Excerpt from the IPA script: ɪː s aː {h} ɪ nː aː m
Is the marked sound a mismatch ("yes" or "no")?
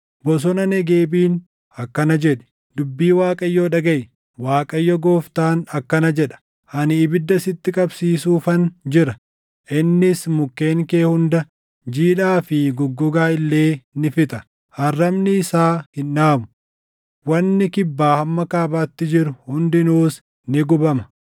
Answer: no